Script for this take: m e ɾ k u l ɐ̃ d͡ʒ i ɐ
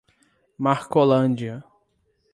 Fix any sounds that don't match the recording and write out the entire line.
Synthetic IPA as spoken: m a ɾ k o l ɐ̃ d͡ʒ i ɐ